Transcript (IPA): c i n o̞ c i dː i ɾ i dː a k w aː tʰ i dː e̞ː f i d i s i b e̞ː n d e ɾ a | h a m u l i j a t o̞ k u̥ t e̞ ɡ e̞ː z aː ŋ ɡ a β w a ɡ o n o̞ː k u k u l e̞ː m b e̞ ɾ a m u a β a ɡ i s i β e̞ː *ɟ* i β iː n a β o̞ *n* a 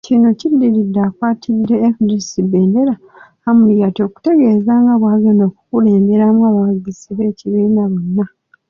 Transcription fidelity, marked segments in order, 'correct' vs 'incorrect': incorrect: c, incorrect: nː

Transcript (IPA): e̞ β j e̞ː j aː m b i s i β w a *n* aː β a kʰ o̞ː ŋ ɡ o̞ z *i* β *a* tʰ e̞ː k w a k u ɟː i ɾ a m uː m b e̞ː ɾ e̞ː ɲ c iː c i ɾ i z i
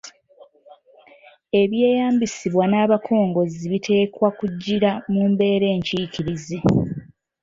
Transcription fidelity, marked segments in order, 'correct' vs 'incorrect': correct, correct, incorrect: i

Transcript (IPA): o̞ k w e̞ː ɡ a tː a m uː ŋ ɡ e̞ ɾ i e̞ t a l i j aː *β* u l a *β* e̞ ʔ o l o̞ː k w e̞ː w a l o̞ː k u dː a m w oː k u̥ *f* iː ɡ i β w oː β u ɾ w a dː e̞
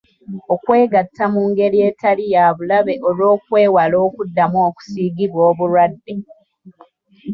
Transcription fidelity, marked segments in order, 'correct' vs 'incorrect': correct, correct, incorrect: s

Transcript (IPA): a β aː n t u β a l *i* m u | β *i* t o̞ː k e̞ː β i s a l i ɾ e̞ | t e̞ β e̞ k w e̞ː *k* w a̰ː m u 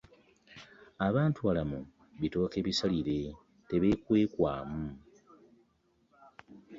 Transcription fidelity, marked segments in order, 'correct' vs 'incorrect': incorrect: a, correct, correct

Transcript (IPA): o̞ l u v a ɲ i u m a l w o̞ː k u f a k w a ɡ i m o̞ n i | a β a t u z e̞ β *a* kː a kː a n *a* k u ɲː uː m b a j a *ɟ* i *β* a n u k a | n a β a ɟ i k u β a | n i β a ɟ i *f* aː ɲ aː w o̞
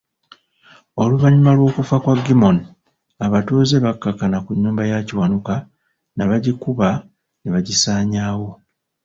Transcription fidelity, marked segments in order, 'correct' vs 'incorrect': correct, correct, incorrect: c, incorrect: w, incorrect: s

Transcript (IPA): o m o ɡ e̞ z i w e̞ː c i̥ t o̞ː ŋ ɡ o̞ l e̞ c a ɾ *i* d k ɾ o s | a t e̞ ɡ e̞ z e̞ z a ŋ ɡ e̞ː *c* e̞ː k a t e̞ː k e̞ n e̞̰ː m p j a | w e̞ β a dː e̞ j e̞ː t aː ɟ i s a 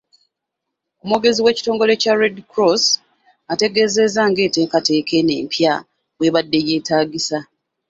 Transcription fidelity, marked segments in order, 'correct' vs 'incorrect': incorrect: e, incorrect: t

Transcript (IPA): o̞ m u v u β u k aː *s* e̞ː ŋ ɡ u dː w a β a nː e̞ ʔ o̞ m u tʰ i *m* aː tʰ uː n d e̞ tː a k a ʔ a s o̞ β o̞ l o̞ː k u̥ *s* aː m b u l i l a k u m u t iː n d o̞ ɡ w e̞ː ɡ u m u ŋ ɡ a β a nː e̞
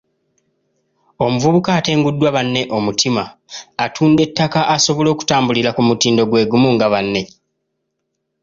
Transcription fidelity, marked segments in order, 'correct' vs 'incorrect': incorrect: t, correct, incorrect: t

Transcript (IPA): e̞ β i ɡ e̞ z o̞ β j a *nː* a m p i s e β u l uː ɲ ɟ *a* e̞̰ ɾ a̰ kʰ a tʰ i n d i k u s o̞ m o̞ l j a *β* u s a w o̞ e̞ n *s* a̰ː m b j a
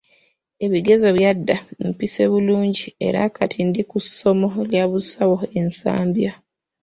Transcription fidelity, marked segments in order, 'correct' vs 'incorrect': incorrect: dː, incorrect: i, correct, correct

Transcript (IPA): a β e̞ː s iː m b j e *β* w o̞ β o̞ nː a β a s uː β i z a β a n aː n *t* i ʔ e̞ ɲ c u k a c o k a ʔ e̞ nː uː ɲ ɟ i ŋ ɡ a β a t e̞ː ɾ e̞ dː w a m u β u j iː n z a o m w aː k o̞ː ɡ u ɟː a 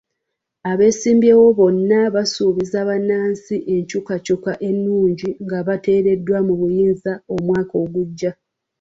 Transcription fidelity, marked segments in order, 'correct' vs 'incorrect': incorrect: none, incorrect: s

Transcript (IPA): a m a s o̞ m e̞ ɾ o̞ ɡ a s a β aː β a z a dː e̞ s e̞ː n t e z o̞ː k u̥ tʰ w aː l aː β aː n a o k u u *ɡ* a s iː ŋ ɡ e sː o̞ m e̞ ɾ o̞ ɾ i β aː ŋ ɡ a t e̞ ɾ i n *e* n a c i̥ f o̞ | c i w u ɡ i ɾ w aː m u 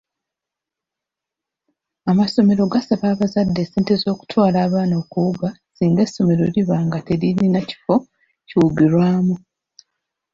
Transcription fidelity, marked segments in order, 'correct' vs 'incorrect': correct, incorrect: i

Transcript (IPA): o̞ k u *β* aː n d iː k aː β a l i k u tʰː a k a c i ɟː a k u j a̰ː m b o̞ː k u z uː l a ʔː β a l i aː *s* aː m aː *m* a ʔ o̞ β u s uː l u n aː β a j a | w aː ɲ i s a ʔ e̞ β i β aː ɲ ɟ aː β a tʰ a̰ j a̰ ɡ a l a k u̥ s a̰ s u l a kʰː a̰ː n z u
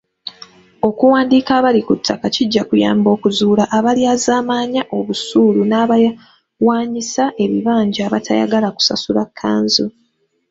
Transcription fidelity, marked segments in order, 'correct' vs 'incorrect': incorrect: w, incorrect: z, incorrect: ɲ

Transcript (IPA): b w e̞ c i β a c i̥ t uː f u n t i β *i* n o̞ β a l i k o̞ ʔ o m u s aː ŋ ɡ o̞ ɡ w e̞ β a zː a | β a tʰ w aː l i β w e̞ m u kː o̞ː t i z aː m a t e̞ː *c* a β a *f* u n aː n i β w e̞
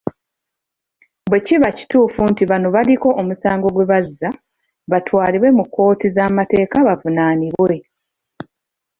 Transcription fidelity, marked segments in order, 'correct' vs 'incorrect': incorrect: a, incorrect: k, incorrect: v

